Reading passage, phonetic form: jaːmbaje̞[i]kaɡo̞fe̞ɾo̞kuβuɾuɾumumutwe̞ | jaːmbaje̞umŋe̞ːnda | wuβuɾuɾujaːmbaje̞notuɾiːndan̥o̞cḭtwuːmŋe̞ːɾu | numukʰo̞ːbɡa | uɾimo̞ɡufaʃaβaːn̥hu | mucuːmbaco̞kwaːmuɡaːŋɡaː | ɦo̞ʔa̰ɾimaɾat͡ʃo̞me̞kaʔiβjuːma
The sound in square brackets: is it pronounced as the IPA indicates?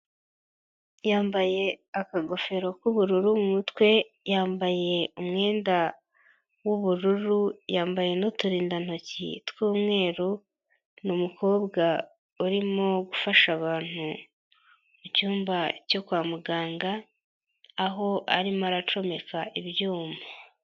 no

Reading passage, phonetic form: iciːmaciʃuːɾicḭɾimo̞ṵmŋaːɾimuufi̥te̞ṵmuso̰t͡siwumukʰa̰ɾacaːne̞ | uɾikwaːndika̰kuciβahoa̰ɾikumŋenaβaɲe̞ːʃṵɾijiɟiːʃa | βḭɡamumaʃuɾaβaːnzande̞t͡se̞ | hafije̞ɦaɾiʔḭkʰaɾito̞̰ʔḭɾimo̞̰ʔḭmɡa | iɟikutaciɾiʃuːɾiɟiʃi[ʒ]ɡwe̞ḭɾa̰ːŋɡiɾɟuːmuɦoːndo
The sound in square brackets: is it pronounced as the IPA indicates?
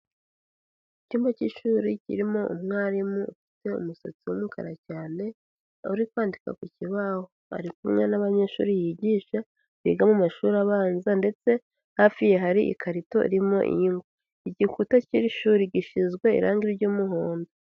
no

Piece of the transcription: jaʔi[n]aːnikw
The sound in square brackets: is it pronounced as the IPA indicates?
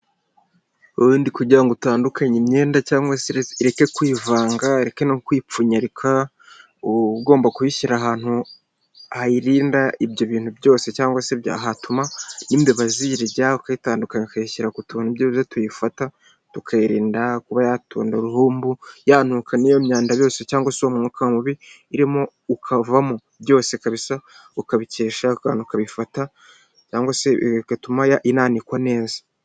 yes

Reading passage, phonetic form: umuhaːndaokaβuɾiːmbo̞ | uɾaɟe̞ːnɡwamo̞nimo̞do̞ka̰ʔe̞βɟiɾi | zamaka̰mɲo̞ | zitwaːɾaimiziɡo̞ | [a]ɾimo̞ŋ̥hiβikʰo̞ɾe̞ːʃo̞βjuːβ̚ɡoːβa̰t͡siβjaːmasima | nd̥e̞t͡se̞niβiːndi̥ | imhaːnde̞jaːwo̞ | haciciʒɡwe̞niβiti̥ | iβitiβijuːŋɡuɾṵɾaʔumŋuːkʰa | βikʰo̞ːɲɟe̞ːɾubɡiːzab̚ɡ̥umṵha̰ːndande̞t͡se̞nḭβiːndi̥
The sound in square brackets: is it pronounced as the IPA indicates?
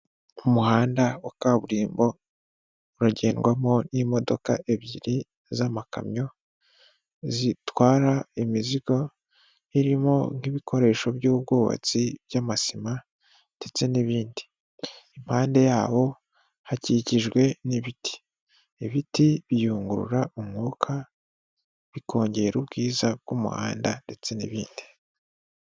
no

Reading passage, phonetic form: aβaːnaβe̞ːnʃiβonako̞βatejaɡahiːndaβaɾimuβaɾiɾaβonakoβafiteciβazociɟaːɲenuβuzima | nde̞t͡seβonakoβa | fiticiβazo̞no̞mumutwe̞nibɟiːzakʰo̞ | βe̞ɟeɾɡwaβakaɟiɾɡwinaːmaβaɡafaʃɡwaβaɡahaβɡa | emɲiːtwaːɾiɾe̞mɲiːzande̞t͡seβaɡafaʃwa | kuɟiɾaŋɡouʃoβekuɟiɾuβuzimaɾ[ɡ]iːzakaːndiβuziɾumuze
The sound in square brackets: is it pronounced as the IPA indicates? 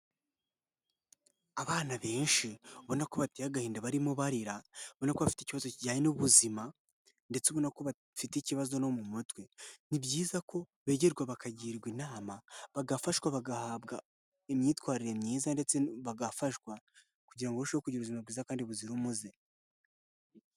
yes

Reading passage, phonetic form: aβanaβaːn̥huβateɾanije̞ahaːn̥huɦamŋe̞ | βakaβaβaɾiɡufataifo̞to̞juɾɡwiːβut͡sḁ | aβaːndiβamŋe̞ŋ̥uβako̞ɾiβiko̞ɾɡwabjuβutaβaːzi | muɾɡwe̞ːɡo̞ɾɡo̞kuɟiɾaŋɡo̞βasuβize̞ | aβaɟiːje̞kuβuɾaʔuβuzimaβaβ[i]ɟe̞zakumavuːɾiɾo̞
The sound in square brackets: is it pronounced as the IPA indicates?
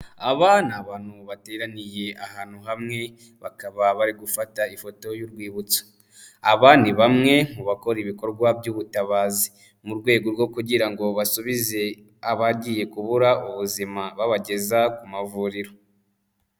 no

